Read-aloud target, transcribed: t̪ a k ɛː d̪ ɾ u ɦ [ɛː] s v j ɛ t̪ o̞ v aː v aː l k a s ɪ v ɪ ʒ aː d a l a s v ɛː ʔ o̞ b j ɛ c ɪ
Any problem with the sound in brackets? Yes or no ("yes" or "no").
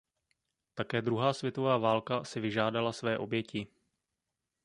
yes